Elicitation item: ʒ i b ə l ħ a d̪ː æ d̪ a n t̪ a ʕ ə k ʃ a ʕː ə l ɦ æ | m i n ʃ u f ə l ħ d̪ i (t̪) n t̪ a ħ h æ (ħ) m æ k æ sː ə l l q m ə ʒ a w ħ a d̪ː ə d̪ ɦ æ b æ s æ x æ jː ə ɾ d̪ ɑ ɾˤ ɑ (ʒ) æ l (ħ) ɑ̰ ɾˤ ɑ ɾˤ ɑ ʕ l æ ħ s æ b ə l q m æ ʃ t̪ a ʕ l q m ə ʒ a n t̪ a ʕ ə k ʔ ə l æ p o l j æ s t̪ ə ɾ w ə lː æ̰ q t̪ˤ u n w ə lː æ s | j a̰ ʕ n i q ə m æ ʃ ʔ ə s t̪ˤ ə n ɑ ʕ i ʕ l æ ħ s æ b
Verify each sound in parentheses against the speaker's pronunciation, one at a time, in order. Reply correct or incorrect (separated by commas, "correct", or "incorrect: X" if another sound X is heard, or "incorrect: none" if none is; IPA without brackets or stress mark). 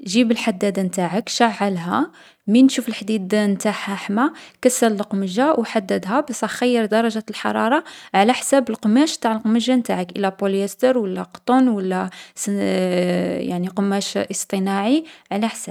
incorrect: d̪, correct, correct, correct